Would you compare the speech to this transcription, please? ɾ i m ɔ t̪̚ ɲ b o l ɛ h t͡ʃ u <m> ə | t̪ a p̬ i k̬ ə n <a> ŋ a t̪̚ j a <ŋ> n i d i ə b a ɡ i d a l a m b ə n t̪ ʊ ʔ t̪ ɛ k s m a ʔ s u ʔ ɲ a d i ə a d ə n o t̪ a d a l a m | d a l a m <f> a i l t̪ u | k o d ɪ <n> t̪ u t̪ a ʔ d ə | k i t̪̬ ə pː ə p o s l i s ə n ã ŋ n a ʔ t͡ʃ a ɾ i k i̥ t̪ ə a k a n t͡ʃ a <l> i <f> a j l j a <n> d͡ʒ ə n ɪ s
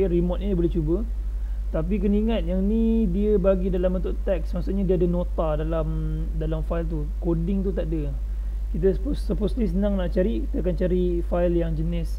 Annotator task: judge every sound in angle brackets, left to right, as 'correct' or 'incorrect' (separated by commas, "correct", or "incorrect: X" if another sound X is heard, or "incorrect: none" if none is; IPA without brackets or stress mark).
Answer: incorrect: b, incorrect: i, correct, correct, incorrect: ŋ, incorrect: ɾ, correct, incorrect: ŋ